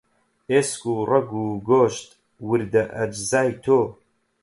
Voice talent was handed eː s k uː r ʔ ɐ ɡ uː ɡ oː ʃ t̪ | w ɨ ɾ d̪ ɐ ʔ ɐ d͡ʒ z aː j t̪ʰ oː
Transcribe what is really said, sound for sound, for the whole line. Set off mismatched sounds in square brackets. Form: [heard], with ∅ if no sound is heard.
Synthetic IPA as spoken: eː s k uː r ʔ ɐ ɡ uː ɡ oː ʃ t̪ | w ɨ ɾ d̪ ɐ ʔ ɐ d͡ʒ z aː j t̪ʰ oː